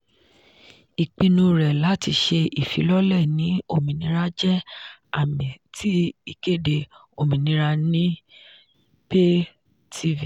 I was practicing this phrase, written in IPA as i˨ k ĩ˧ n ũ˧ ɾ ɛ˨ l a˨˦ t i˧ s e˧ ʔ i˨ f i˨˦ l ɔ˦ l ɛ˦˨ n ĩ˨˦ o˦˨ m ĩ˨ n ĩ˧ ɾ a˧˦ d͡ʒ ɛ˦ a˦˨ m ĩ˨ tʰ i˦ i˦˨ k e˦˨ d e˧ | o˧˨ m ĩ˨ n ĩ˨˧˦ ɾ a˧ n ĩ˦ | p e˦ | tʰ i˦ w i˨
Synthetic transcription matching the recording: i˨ k͡p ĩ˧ n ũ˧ ɾ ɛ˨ l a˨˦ t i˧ ʃ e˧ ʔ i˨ f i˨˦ l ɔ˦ l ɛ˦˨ n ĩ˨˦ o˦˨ m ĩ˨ n ĩ˧ ɾ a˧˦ d͡ʒ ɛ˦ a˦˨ m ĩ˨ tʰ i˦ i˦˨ k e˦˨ d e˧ | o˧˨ m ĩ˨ n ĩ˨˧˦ ɾ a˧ n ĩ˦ | p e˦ | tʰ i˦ v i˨